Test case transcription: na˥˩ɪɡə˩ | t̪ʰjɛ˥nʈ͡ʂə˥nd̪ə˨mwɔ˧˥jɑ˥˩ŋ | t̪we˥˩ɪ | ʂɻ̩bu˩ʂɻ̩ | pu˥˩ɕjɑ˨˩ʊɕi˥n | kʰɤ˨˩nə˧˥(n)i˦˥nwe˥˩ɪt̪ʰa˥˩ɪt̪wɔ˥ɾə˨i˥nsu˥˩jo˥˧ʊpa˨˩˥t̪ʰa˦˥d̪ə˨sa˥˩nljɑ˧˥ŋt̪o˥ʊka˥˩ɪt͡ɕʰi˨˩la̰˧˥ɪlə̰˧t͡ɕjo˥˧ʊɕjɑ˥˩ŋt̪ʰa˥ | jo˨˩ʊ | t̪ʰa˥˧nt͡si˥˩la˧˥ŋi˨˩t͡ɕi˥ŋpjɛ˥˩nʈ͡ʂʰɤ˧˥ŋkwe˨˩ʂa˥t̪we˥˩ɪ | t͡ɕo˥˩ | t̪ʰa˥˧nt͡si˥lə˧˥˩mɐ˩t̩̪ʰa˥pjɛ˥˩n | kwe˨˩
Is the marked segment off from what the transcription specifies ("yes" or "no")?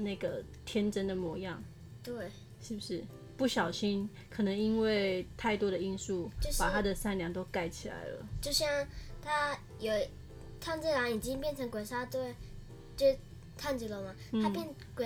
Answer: yes